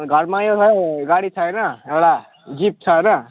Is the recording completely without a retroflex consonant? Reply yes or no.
no